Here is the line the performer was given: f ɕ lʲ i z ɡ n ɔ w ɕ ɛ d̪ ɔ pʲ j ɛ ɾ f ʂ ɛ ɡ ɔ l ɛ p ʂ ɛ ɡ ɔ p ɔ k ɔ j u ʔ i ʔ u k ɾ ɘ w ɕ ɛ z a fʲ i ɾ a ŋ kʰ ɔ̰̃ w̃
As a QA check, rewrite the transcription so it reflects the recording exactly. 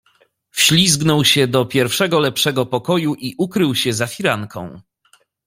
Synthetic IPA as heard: f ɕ lʲ i z ɡ n ɔ w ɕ ɛ d̪ ɔ pʲ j ɛ ɾ f ʂ ɛ ɡ ɔ l ɛ p ʂ ɛ ɡ ɔ p ɔ k ɔ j u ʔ i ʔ u k ɾ ɘ w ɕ ɛ z a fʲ i ɾ a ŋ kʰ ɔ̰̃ w̃